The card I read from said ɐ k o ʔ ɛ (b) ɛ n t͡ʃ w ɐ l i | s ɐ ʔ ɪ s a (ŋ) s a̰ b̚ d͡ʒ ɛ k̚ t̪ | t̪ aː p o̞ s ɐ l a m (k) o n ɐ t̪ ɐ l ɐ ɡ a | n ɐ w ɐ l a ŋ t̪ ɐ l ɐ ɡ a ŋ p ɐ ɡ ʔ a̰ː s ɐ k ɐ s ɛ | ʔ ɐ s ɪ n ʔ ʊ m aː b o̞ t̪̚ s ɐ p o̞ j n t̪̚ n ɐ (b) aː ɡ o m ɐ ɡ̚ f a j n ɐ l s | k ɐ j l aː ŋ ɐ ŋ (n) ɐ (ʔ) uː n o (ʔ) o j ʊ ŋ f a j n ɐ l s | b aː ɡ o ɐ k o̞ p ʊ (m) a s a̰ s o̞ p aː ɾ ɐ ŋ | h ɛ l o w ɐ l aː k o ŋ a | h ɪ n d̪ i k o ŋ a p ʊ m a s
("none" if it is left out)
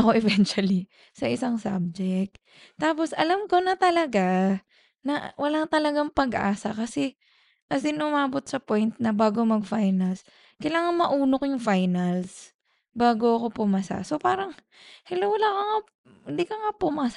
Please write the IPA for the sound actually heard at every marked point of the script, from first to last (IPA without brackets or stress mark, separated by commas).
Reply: v, ŋ, k, b, m, ʔ, k, m